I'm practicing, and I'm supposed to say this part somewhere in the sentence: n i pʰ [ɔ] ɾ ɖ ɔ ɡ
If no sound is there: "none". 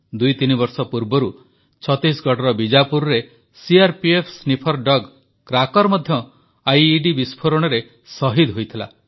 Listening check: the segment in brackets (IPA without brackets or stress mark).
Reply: ɔ